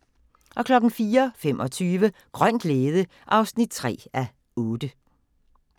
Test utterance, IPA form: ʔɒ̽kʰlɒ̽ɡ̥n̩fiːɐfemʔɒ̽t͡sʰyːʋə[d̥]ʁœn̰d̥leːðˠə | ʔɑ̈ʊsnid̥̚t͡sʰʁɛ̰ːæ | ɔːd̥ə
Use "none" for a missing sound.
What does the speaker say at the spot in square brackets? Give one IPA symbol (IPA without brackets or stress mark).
ɡ̥